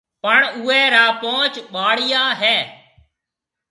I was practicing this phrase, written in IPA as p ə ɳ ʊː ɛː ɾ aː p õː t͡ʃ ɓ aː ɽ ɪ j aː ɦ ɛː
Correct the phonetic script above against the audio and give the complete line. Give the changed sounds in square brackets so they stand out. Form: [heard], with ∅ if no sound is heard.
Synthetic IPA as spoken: p ə ɳ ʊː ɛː ɾ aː p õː t͡ʃ ɓ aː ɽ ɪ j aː ɦ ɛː